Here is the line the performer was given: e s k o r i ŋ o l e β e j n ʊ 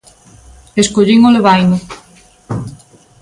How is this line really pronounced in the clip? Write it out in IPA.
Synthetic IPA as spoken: e s k o ʎ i ŋ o l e β a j n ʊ